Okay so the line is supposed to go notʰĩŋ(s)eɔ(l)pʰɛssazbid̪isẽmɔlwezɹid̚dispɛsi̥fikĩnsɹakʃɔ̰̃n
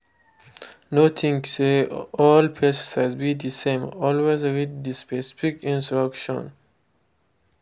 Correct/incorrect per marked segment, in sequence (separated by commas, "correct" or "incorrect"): correct, correct